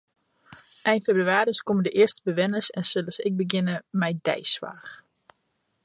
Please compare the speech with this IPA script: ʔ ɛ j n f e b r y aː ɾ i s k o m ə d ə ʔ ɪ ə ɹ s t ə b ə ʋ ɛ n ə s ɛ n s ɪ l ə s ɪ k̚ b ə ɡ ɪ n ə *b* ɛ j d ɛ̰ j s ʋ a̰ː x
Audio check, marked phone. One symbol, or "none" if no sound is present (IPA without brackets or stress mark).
m